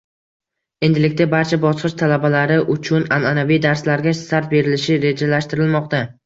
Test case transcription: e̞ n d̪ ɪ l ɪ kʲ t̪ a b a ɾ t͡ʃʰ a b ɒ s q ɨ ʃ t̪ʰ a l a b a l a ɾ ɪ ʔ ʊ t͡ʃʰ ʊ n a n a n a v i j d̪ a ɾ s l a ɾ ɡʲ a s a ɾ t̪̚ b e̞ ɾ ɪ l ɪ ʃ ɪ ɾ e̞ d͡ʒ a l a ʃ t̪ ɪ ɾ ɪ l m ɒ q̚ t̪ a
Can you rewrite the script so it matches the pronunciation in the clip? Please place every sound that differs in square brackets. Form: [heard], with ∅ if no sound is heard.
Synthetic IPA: e̞ n d̪ ɪ l ɪ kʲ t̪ a b a ɾ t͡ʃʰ a b ɒ s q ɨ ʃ t̪ʰ a l a b a l a ɾ ɪ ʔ ʊ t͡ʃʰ ʊ n a n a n a v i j d̪ a ɾ s l a ɾ ɡʲ a s a ɾ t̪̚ b e̞ ɾ ɪ l ɪ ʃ ɪ ɾ e̞ d͡ʒ a l a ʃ t̪ ɪ ɾ ɪ l m ɒ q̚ t̪ a